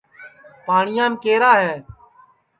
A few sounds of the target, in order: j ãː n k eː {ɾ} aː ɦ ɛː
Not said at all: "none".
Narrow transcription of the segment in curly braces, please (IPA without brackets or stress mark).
ɾ